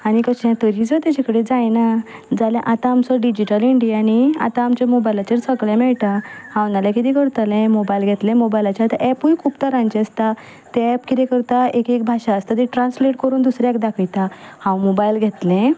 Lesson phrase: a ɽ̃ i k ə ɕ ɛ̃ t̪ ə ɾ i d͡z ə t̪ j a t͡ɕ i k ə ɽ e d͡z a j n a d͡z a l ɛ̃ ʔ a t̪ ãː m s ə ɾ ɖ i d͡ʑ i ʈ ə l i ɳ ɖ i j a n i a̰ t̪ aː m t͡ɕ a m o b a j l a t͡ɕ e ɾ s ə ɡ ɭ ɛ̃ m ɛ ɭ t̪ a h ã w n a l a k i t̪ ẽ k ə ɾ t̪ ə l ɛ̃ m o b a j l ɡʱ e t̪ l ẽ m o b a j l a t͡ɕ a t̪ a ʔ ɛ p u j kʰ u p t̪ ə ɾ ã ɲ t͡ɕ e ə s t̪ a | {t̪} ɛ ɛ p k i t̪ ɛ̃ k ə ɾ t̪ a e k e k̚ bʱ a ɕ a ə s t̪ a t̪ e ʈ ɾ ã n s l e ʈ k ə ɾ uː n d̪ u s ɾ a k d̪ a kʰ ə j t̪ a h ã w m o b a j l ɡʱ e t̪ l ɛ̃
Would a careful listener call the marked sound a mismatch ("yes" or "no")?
no